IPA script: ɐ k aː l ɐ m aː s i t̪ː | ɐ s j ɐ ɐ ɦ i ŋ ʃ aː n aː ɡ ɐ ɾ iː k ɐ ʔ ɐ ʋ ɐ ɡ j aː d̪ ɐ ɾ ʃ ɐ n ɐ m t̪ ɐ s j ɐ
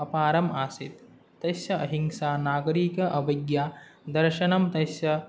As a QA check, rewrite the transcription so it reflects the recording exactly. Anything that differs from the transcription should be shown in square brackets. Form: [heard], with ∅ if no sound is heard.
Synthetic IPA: ɐ [p] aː [ɾ] ɐ m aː s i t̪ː | ɐ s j ɐ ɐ ɦ i ŋ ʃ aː n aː ɡ ɐ ɾ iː k ɐ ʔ ɐ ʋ ɐ ɡ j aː d̪ ɐ ɾ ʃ ɐ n ɐ m t̪ ɐ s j ɐ